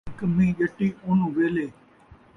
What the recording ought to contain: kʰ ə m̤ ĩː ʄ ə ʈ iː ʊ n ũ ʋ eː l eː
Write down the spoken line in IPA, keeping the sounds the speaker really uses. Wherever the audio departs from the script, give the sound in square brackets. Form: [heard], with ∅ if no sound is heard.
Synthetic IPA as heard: [k] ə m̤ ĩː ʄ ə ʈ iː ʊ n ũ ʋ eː l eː